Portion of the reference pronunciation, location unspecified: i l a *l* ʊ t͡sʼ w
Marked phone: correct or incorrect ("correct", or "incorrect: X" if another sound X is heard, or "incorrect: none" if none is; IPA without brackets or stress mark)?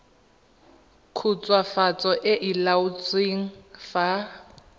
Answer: incorrect: none